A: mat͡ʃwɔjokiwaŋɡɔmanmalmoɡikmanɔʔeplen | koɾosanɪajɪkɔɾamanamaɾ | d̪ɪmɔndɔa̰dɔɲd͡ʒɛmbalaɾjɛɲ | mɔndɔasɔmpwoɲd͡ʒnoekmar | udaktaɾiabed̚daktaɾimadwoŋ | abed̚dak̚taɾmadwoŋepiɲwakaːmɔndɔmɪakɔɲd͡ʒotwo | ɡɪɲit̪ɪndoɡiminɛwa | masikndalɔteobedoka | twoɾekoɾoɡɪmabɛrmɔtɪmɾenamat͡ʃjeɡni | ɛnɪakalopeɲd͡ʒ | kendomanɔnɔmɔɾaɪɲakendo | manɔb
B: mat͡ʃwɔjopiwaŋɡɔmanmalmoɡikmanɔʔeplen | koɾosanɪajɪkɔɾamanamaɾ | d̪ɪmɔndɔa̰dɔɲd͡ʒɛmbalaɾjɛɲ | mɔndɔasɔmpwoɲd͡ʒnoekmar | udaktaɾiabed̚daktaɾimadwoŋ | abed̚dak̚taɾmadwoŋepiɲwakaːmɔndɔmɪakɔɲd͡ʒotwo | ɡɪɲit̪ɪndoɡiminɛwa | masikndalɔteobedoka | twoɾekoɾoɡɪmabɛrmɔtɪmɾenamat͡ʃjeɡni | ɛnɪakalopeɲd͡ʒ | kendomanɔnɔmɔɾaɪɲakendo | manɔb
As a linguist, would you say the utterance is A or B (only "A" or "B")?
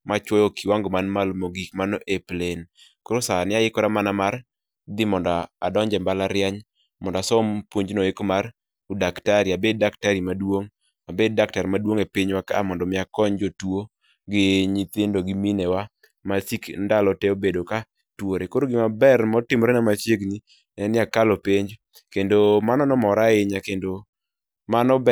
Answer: A